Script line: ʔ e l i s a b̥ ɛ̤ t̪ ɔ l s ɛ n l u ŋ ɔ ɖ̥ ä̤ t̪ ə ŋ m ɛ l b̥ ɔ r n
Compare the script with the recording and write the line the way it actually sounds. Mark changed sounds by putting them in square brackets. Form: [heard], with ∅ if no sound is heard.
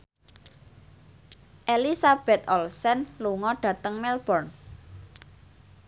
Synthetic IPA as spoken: ʔ e l i s a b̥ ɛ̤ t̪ ɔ l s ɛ n l u ŋ ɔ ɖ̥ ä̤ t̪ ə ŋ m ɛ l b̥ ɔ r n